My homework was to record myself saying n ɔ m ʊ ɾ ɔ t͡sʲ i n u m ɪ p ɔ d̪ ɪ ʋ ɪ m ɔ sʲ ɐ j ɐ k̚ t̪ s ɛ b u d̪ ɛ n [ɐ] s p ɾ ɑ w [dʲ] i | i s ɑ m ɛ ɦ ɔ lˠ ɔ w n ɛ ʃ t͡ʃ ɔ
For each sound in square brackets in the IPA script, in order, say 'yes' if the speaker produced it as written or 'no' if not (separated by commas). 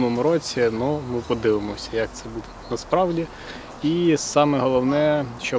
yes, yes